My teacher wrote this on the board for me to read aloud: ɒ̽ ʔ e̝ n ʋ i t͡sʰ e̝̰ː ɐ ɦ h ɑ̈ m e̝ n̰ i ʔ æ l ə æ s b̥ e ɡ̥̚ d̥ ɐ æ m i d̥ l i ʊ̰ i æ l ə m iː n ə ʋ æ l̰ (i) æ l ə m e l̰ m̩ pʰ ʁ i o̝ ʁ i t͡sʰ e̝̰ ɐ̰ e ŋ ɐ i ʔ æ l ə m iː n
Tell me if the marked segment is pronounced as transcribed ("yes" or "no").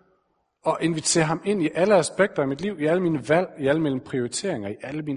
yes